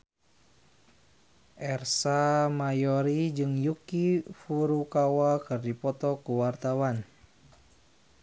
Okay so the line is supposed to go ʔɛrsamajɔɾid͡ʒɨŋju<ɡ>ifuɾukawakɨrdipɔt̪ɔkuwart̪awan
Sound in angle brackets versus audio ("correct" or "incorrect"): incorrect